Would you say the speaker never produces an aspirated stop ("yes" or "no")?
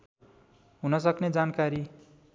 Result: yes